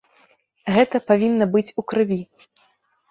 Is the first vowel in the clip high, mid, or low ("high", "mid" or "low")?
mid